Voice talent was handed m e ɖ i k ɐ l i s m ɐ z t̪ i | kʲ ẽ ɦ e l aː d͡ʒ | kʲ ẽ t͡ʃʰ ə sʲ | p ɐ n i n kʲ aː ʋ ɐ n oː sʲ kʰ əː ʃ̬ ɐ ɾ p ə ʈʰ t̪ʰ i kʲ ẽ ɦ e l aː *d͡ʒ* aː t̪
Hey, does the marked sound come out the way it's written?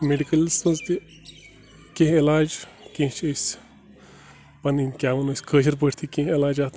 yes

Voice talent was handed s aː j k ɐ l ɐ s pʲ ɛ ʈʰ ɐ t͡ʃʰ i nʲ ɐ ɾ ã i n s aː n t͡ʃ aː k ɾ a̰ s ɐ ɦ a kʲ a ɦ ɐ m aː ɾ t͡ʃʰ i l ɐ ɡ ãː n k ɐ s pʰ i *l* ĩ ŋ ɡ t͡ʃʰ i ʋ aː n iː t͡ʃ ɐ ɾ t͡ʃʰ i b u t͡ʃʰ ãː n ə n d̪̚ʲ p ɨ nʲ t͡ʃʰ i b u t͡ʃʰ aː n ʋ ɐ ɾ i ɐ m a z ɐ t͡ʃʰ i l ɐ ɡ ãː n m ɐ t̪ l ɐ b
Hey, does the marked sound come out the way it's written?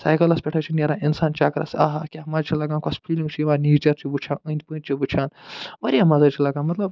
yes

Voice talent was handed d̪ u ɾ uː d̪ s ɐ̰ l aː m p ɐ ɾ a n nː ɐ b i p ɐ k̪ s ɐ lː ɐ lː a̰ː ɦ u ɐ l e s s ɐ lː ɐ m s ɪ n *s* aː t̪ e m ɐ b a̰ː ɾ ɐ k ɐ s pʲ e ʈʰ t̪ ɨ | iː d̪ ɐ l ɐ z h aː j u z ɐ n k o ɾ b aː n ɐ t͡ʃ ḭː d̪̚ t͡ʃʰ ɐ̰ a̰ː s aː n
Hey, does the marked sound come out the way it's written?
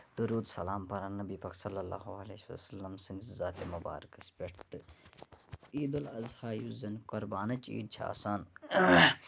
no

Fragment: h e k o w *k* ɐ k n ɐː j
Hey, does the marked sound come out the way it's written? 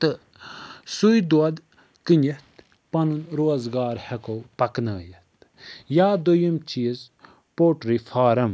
no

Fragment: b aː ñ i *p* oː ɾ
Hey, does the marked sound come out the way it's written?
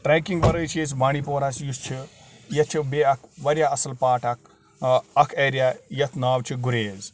yes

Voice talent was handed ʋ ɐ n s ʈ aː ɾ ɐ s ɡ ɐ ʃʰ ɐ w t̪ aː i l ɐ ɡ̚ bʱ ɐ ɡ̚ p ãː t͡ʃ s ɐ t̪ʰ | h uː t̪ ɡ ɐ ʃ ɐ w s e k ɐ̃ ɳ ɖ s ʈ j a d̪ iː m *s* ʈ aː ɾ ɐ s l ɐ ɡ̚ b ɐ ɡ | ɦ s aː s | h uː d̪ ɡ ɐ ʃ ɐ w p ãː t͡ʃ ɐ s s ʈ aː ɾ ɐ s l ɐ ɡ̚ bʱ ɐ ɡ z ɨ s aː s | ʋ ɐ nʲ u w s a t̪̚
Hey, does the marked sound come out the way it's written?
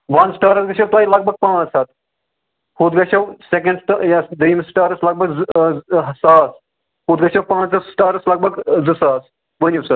yes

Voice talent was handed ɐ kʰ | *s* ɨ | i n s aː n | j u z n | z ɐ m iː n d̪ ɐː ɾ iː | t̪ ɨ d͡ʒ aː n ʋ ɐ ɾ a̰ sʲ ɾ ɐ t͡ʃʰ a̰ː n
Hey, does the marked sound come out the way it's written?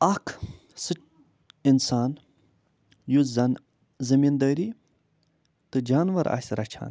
yes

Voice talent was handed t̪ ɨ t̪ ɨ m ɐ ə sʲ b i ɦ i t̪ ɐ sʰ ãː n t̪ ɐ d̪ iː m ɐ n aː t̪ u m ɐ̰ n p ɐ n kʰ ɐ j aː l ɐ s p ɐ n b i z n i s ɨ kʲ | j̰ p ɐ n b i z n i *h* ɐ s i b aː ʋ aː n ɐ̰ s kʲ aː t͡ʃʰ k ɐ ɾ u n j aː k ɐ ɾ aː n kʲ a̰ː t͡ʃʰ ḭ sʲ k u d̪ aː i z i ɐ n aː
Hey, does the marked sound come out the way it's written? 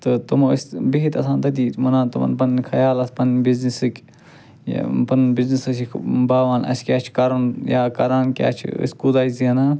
no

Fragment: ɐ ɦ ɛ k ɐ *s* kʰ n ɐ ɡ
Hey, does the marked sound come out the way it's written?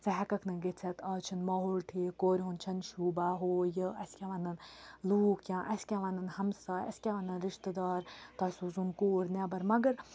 no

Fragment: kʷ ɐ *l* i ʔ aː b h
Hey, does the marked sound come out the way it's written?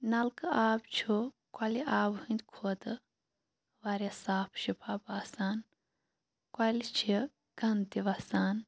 yes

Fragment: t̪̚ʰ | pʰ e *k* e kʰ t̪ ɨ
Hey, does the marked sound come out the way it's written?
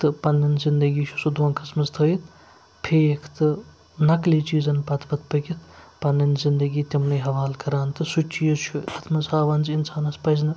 no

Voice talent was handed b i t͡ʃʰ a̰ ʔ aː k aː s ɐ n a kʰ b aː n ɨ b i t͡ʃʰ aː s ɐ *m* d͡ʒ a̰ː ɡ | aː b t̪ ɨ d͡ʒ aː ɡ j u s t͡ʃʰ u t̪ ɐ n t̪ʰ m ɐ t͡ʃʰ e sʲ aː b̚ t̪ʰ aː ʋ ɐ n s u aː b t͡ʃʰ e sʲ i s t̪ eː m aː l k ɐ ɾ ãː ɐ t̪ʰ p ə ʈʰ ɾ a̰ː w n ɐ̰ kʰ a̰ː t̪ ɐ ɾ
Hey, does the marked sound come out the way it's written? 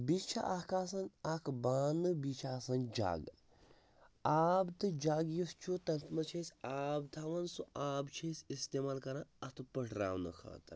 no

